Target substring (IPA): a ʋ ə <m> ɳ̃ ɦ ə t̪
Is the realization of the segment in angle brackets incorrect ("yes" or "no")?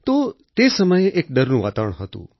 yes